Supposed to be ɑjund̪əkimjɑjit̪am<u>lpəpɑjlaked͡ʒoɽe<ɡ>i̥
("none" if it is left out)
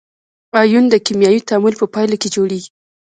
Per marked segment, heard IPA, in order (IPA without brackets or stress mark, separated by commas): u, ɡ